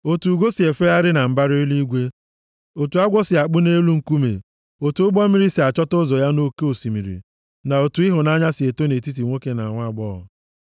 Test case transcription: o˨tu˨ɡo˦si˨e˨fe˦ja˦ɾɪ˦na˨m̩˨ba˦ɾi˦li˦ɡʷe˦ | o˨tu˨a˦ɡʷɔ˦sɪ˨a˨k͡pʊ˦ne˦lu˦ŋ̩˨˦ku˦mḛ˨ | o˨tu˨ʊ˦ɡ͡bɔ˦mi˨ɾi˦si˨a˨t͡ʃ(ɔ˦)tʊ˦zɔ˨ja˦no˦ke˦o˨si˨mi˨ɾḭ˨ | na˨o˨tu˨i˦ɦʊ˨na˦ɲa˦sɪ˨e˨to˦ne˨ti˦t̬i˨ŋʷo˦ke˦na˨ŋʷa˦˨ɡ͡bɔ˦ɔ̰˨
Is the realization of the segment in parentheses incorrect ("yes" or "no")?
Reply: no